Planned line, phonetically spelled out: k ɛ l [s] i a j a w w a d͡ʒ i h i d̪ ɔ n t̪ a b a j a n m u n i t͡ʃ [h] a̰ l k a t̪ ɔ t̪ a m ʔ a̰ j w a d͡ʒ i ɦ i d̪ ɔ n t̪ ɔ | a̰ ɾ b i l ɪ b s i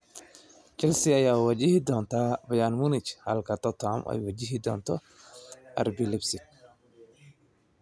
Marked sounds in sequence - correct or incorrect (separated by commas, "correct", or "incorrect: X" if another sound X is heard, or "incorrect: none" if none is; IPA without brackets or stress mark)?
correct, correct